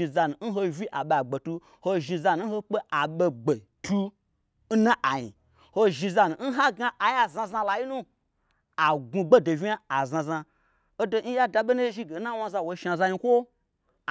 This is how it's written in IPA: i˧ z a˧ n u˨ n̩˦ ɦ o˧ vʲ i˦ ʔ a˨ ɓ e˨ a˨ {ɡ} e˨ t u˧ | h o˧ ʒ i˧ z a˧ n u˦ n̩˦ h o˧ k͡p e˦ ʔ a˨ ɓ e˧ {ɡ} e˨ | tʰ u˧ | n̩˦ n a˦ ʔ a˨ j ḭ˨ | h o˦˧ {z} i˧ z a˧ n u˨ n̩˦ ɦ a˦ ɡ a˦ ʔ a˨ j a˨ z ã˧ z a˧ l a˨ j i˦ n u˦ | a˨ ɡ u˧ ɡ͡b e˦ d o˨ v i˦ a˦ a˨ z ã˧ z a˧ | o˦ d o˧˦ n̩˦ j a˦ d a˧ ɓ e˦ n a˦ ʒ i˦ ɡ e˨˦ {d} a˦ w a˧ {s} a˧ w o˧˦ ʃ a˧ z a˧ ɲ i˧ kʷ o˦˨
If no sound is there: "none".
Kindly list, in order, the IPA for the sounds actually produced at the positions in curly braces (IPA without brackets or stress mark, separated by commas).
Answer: ɡ͡b, ɡ͡b, ʒ, n, z